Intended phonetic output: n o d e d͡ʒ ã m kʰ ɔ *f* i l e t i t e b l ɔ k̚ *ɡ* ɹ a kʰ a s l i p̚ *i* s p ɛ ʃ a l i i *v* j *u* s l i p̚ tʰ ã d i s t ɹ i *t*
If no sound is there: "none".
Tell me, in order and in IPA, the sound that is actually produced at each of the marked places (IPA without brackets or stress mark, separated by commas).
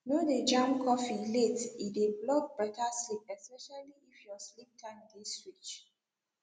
f, b, ɛ, f, ɔ, t͡ʃ